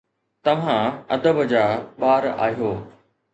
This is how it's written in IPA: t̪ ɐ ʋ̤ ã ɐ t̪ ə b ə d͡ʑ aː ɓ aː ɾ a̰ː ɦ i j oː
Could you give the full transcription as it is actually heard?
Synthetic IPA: t̪ ɐ ʋ̤ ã ɐ d̪ ə b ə d͡ʑ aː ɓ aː ɾ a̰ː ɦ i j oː